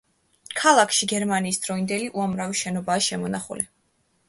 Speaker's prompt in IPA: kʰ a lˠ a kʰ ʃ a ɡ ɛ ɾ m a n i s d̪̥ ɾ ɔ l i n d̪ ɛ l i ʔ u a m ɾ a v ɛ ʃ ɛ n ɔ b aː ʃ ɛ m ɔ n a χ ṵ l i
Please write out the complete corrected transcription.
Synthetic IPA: kʰ a lˠ a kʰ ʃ i ɡ ɛ ɾ m a n iː s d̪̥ ɾ ɔ i n d̪ ɛ l i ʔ u a m ɾ a v i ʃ ɛ n ɔ b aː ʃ ɛ m ɔ n a χ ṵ l i